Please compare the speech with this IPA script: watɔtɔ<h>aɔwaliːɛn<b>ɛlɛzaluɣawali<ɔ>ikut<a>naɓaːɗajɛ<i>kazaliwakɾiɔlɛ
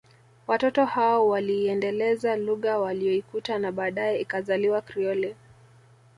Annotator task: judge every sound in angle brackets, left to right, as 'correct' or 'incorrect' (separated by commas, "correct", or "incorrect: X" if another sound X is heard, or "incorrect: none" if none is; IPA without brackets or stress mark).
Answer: correct, incorrect: d, correct, correct, correct